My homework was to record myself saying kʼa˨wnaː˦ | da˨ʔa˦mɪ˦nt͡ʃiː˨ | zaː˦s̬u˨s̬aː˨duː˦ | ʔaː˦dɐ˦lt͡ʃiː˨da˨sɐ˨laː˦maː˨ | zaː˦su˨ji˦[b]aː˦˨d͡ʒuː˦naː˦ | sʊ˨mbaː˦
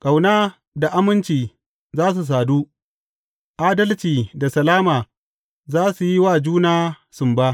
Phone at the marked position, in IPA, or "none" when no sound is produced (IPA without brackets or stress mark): w